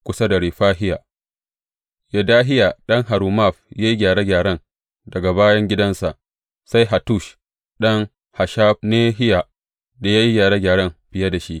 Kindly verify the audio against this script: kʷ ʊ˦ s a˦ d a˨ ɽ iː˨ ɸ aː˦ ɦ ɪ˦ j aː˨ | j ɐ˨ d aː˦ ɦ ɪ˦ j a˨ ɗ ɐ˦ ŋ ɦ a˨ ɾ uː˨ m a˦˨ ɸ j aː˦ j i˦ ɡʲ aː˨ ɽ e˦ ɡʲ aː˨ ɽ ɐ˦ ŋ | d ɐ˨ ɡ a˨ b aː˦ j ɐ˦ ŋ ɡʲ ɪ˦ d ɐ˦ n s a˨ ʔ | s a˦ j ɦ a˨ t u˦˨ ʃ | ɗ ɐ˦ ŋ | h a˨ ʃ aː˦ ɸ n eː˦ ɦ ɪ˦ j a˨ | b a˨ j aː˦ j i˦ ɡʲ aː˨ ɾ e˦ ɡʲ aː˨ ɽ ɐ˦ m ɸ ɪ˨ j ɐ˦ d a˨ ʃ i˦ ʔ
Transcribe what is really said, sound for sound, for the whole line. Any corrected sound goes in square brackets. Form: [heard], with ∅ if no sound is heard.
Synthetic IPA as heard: kʷ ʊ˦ s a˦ d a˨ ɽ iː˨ ɸ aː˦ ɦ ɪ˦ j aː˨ | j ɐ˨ d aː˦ ɦ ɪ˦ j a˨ ɗ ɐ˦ ŋ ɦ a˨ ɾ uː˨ m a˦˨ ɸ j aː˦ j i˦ ɡʲ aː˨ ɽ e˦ ɡʲ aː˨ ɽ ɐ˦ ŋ | d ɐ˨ ɡ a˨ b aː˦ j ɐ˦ ŋ ɡʲ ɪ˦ d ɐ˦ n s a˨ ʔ | s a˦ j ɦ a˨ t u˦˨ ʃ | ɗ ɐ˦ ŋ | h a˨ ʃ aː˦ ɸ n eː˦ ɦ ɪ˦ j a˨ | [d] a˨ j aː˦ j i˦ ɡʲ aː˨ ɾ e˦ ɡʲ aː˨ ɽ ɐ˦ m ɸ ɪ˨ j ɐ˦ d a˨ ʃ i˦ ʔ